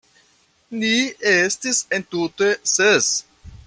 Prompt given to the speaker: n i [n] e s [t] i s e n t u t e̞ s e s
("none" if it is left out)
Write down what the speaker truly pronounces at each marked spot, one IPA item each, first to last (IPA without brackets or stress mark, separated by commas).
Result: none, t